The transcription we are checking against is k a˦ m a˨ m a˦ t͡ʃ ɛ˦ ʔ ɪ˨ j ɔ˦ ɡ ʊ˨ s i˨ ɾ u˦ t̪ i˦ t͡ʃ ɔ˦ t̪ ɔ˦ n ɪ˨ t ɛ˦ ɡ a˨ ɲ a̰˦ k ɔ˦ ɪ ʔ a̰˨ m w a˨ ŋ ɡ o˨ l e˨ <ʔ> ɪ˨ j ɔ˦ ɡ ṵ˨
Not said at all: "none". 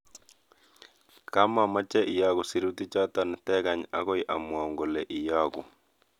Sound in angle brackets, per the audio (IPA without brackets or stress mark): ʔ